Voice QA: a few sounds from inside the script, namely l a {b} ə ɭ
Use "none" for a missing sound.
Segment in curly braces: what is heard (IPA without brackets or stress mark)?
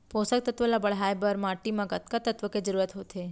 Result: b